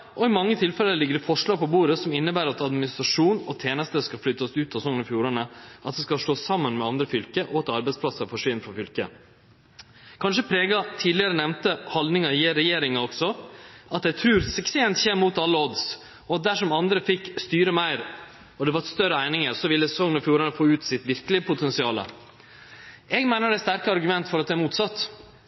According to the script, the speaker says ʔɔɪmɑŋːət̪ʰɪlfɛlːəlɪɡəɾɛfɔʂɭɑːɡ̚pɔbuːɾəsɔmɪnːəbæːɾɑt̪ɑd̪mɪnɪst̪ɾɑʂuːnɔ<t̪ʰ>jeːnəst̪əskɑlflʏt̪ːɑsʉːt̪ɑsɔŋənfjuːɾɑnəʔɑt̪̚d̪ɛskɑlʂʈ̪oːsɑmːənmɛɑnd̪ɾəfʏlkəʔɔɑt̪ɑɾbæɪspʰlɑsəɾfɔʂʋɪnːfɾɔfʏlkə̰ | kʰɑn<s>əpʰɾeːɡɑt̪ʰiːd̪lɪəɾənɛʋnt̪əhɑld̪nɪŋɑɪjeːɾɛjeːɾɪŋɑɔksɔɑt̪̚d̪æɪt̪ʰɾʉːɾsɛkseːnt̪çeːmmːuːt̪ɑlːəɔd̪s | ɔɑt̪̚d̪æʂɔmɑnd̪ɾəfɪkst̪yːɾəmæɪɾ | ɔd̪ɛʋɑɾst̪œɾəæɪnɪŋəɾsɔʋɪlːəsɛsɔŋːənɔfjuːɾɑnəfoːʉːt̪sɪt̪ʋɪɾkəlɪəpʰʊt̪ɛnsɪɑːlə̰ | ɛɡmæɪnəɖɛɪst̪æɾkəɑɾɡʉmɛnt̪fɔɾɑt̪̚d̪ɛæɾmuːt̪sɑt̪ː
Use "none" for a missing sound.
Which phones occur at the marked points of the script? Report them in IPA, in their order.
t̪ʰ, ʂ

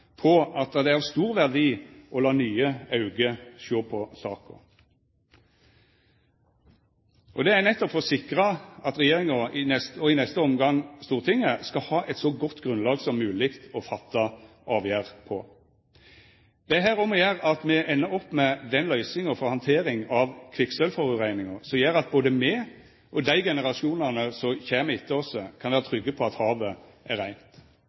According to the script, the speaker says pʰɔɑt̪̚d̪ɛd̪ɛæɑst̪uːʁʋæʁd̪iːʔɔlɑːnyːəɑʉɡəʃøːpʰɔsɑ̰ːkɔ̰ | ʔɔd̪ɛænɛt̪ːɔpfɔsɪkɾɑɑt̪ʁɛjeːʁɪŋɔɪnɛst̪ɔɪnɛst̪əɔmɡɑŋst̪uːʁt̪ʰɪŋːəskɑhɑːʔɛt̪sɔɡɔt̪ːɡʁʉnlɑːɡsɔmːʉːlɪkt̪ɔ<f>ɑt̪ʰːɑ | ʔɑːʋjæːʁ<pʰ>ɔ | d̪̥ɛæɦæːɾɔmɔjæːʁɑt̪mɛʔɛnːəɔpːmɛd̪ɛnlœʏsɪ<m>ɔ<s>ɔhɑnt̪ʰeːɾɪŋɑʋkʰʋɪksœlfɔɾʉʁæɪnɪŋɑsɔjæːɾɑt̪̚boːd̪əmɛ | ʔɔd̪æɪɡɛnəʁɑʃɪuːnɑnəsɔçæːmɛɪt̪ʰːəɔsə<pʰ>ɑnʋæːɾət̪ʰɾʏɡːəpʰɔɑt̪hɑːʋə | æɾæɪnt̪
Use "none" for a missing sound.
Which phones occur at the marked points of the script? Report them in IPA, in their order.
f, pʰ, ŋ, f, kʰ

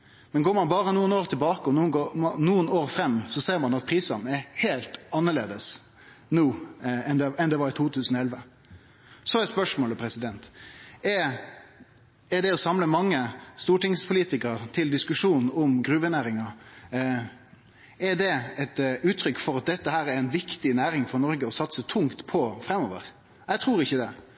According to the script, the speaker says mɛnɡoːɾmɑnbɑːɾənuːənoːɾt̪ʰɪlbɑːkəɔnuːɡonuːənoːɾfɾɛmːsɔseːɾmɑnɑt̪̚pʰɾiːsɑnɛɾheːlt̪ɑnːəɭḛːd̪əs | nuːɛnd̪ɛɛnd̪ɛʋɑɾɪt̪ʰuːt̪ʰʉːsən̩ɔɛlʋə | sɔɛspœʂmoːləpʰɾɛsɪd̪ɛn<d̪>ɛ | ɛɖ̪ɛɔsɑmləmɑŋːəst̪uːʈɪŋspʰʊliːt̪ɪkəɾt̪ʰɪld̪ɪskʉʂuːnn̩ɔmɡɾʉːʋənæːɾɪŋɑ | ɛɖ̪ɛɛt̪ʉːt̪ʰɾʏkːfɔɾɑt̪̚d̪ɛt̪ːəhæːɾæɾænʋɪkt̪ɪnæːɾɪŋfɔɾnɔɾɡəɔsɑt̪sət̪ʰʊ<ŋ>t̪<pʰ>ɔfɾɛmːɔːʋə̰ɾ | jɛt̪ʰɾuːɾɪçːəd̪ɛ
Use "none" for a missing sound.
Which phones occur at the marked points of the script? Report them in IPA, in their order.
t̪, ŋ, pʰ

